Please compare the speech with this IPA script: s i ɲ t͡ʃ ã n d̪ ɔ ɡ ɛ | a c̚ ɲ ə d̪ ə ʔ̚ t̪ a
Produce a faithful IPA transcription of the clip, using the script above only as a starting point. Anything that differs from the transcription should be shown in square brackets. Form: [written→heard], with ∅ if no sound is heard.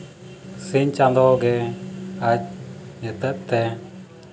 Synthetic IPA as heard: s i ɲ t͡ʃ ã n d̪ ɔ ɡ ɛ | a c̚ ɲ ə [d̪→t̪] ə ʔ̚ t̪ [a→ɛ]